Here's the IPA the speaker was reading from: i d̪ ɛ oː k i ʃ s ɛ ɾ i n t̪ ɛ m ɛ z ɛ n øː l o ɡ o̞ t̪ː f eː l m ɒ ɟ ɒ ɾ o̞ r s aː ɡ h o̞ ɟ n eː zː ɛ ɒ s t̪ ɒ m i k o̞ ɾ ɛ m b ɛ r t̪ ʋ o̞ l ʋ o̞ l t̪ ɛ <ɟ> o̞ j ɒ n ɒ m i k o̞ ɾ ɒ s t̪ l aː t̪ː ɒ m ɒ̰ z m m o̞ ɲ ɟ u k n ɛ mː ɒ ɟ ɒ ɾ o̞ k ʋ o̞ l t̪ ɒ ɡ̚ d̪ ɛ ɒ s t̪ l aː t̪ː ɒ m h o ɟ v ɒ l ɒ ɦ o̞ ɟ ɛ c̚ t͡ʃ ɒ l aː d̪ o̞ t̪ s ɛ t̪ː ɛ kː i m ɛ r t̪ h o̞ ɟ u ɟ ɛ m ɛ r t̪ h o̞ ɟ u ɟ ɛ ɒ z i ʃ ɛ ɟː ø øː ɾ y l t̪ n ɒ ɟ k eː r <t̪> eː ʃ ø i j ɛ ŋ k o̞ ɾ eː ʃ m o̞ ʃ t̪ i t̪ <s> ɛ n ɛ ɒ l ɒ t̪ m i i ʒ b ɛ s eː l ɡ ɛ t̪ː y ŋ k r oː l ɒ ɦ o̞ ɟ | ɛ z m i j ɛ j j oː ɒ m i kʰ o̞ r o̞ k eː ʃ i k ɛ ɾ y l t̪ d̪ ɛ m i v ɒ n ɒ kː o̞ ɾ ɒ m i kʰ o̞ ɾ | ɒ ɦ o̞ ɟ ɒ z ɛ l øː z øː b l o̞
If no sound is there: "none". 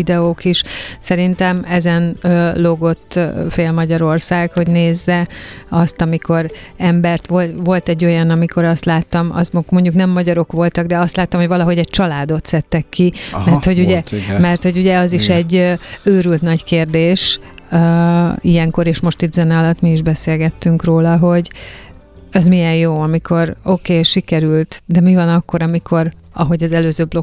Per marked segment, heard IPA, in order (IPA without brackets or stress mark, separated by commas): ɟː, d̪, z